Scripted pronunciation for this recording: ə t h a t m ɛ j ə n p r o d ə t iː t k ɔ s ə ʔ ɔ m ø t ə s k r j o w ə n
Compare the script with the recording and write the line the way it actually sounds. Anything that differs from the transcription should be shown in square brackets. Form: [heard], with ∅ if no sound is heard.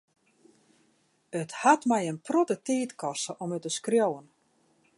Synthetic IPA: ə t h a t m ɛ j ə n p r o [t] ə t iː t k ɔ s ə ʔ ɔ m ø t ə s k r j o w ə n